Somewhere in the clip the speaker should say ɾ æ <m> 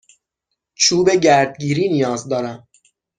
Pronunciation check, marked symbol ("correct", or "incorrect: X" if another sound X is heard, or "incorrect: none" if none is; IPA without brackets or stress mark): correct